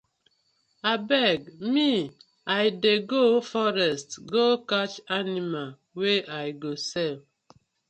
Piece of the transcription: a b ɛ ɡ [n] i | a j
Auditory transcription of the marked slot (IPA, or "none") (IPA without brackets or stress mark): m